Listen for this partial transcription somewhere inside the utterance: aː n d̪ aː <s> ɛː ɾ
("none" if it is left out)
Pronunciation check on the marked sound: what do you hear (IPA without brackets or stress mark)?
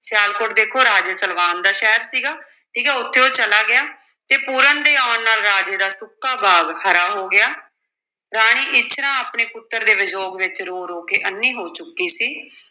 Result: ʃ